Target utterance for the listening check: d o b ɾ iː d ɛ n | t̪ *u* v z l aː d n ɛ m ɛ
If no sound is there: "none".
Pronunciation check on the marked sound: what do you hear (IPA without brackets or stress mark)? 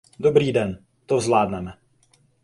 o